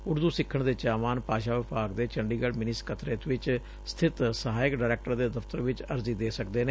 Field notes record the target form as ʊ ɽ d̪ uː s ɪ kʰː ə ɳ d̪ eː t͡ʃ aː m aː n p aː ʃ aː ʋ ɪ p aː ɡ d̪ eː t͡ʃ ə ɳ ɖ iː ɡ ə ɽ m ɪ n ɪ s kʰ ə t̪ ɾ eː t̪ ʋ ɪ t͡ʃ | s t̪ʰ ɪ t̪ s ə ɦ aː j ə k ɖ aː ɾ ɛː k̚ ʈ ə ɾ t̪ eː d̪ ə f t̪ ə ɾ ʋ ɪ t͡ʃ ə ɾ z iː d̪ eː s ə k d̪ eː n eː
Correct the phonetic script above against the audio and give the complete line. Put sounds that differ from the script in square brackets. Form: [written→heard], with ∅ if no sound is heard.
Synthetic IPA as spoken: ʊ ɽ d̪ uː s ɪ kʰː ə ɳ d̪ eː t͡ʃ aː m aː n p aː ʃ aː ʋ ɪ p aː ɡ d̪ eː t͡ʃ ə ɳ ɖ iː ɡ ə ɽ m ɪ n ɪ s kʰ ə t̪ ɾ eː t̪ ʋ ɪ t͡ʃ | s t̪ʰ ɪ t̪ s ə ɦ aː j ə k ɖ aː ɾ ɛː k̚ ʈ ə ɾ [t̪→d̪] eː d̪ ə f t̪ ə ɾ ʋ ɪ t͡ʃ ə ɾ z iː d̪ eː s ə k d̪ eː n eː